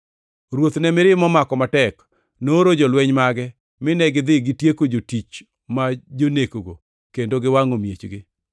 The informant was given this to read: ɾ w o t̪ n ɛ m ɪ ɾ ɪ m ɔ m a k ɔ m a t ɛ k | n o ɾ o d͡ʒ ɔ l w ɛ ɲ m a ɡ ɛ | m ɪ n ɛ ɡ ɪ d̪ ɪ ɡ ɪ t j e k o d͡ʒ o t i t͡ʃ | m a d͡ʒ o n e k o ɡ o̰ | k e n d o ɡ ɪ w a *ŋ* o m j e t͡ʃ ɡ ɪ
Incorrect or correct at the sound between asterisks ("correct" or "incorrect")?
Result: correct